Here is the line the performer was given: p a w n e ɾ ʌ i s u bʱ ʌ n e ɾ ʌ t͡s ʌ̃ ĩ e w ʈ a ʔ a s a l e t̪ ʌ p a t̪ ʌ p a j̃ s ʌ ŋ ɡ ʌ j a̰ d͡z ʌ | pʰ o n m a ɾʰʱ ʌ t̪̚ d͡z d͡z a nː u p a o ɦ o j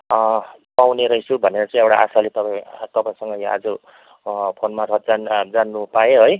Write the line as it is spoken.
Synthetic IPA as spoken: p a w n e ɾ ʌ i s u bʱ ʌ n e ɾ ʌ t͡s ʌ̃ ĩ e w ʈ a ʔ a s a l e t̪ ʌ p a t̪ ʌ p a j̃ s ʌ ŋ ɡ ʌ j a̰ d͡z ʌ | pʰ o n m a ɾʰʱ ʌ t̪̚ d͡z d͡z a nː u p a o ɦ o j